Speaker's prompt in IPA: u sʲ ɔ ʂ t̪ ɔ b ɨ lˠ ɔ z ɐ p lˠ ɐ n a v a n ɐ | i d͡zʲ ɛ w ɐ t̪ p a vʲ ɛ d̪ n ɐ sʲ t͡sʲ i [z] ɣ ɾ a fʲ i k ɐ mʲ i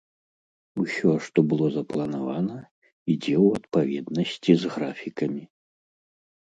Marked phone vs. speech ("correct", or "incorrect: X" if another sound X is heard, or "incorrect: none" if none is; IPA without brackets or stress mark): correct